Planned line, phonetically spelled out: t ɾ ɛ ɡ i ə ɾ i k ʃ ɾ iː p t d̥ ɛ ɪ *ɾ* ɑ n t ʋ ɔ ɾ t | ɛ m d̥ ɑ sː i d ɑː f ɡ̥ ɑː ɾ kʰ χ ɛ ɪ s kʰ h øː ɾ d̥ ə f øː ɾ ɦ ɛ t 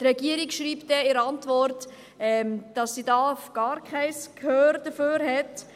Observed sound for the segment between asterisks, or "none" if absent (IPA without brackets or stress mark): ɾ